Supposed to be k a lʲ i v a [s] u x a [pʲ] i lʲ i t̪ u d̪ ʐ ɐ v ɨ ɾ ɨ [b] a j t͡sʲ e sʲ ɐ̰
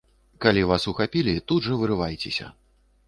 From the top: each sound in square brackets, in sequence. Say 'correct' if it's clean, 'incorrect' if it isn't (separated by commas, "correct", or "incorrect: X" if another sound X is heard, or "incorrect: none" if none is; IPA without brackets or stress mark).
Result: correct, correct, incorrect: v